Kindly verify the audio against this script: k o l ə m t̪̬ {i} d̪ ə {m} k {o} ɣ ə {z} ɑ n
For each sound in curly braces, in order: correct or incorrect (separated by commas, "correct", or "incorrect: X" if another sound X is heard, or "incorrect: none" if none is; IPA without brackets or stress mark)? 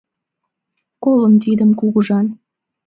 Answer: correct, correct, incorrect: u, incorrect: ʒ